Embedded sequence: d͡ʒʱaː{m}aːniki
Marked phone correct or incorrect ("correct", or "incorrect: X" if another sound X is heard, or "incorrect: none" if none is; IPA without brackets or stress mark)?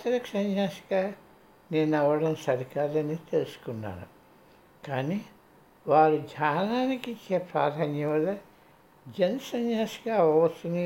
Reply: incorrect: n